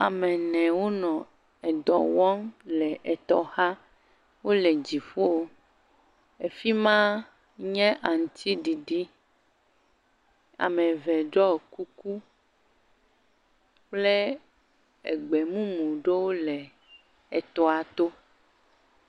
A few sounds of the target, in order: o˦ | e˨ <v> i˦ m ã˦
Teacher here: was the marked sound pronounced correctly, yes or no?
no